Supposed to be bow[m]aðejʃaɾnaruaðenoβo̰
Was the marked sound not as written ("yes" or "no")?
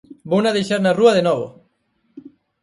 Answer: yes